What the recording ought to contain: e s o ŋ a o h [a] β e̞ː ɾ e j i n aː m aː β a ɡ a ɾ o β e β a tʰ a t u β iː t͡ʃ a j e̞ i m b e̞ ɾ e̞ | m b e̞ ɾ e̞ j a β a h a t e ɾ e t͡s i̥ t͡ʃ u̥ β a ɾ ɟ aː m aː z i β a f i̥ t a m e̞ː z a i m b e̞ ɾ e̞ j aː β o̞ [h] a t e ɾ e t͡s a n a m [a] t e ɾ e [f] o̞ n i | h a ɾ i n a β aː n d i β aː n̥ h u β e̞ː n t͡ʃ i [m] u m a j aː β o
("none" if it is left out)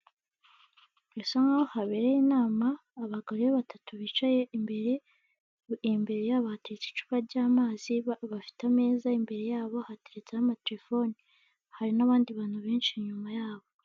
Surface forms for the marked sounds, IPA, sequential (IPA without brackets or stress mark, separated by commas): a, h, a, f, ɲ